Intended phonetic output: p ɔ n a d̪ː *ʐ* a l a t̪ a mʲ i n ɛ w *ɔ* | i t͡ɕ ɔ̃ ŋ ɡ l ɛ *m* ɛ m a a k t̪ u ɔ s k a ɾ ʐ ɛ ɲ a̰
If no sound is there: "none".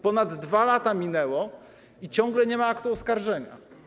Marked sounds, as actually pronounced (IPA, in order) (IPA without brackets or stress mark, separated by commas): v, ɔ, ɲ